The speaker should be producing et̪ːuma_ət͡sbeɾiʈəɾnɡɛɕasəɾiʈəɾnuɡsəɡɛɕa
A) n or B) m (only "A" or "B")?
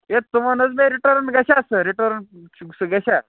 A